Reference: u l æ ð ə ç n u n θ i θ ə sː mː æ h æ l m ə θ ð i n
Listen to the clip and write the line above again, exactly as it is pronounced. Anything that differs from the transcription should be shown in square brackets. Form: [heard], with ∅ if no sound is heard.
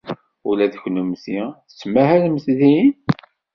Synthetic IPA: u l æ ð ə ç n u [m] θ i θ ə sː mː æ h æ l m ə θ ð i n